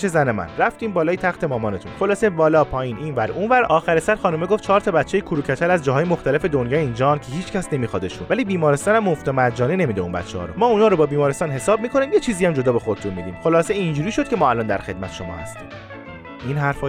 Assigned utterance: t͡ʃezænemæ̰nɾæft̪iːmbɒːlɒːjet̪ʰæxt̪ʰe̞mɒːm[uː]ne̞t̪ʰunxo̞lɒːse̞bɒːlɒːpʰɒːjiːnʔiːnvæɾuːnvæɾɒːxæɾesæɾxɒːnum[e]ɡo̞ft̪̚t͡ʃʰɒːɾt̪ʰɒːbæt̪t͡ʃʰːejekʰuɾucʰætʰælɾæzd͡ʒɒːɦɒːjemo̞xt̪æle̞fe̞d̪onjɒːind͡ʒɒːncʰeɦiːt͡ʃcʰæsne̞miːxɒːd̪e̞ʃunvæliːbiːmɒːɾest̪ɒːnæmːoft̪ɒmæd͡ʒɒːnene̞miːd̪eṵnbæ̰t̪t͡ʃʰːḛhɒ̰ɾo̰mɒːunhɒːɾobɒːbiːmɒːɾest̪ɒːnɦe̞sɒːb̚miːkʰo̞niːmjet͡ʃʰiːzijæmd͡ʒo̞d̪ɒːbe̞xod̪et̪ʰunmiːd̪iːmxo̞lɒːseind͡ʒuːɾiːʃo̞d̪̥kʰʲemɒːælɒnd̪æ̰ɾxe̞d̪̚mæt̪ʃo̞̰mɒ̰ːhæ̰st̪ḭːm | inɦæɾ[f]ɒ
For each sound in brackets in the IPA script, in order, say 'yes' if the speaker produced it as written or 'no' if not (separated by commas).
no, yes, yes